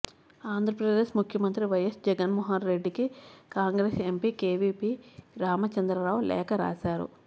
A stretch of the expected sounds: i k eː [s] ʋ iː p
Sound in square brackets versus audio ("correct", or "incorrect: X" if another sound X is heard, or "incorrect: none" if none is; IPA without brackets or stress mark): incorrect: none